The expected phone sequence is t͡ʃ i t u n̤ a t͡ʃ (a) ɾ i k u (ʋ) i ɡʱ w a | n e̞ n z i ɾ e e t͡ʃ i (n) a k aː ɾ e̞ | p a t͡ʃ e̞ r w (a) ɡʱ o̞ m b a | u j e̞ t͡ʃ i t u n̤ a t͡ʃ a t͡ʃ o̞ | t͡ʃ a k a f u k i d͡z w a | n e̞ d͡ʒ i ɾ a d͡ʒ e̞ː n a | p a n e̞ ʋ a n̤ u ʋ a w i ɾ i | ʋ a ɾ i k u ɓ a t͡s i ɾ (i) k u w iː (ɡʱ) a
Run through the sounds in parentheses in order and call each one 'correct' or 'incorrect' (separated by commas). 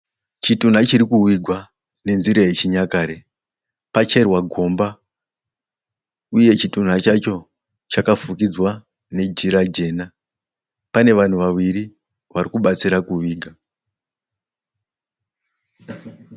incorrect, incorrect, incorrect, correct, incorrect, correct